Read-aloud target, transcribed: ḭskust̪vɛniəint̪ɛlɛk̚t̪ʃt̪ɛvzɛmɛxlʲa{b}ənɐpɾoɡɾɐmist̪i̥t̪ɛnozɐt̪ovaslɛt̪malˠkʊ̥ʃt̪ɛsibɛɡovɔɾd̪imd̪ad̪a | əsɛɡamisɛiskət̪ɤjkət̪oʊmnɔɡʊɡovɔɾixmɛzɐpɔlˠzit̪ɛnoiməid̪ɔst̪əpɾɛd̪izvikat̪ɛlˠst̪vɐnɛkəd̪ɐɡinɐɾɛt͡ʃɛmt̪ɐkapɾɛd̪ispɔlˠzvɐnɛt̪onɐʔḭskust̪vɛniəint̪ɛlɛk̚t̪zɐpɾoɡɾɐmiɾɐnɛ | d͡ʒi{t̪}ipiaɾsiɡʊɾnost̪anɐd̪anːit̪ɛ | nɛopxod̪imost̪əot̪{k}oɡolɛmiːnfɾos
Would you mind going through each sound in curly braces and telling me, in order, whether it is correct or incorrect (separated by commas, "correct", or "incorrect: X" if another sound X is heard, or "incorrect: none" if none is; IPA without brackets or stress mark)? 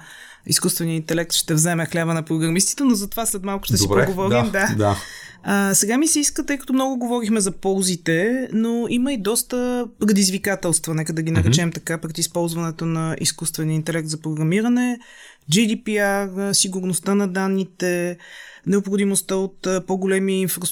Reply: incorrect: v, incorrect: d̪, incorrect: p